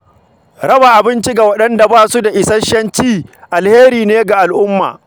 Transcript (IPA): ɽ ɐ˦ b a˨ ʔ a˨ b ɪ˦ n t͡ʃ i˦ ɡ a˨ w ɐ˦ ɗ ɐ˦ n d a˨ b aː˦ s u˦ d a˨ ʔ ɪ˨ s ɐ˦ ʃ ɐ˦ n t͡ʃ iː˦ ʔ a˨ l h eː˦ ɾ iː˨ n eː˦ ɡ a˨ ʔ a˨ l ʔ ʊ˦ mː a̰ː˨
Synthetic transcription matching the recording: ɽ ɐ˦ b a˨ ʔ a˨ b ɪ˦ n t͡ʃ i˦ ɡ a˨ w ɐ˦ ɗ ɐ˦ n d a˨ b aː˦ s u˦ d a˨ ʔ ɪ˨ s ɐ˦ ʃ ɐ˦ n t͡ʃ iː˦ ʔ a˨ l h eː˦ ɾ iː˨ n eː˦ ɡ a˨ ʔ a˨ l ʔ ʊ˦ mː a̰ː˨